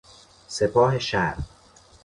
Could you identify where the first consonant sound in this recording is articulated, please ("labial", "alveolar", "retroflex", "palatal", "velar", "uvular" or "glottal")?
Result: alveolar